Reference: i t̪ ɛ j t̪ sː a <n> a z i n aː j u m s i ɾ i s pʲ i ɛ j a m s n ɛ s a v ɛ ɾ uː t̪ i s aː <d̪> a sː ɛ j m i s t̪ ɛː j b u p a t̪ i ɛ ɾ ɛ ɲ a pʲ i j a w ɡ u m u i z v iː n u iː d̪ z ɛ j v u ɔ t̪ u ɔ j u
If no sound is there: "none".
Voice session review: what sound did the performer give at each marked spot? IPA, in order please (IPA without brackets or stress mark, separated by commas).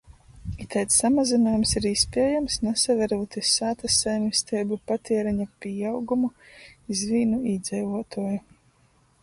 m, t̪